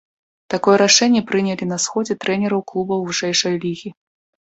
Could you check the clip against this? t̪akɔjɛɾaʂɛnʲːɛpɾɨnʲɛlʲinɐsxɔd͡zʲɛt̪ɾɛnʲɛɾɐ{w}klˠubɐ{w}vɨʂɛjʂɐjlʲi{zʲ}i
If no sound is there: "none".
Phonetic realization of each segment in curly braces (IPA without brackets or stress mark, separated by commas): w, w, ɣʲ